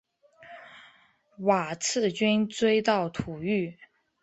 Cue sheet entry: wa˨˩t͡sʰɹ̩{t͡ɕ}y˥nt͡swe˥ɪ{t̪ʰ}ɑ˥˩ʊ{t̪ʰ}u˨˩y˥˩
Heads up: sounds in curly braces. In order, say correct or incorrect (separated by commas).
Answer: correct, incorrect, correct